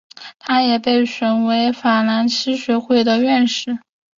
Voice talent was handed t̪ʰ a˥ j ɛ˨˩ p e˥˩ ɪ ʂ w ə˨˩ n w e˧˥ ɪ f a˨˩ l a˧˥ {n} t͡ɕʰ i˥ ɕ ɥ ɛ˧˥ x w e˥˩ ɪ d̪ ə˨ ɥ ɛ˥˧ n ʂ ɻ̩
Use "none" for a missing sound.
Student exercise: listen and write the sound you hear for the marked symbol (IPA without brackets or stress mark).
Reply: n